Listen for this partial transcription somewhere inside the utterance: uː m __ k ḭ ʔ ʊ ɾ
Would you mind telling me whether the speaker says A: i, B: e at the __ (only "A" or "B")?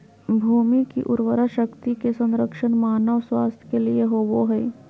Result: A